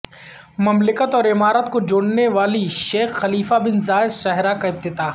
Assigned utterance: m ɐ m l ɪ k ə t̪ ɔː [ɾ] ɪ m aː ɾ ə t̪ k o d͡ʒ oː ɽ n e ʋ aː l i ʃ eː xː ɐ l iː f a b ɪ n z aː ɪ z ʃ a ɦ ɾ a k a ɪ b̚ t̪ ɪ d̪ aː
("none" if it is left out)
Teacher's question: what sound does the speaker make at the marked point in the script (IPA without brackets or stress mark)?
ɾ